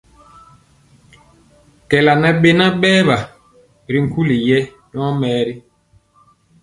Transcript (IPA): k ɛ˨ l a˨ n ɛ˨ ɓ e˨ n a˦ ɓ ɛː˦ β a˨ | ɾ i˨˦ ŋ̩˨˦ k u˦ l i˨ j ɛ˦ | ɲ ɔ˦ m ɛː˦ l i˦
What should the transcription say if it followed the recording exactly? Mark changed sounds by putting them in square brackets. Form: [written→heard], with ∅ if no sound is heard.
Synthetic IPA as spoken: k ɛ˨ l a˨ n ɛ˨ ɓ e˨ n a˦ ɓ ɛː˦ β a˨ | ɾ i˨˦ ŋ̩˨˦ k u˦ l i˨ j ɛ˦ | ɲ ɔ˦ m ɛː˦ [l→ɾ] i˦